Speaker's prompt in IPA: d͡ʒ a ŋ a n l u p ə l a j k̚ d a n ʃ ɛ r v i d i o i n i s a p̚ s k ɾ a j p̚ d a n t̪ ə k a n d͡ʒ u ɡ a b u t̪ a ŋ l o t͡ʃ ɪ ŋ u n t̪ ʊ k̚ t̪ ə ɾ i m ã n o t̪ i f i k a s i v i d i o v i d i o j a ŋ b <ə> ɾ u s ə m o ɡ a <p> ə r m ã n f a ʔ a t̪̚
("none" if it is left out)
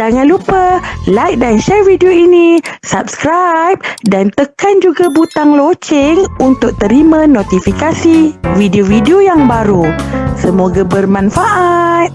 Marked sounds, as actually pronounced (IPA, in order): a, b

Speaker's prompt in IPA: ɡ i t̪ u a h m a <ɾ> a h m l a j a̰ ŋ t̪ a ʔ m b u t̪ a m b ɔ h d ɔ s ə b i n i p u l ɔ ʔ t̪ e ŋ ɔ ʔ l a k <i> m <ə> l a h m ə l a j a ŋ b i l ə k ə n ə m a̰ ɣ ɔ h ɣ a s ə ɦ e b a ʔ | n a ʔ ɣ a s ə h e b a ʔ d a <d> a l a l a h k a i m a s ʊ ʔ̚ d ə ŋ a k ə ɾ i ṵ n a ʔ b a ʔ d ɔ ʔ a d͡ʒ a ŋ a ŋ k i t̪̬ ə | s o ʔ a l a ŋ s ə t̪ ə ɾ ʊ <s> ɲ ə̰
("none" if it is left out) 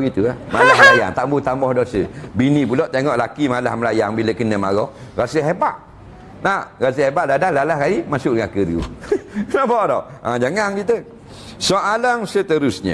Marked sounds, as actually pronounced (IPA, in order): l, i, a, d, s

